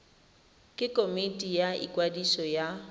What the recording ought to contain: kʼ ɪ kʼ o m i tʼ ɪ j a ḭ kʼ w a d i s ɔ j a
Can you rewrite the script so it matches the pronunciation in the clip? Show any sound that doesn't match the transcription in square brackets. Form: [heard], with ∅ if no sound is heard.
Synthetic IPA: kʼ ɪ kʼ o m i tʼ [i] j a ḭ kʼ w a d i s ɔ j a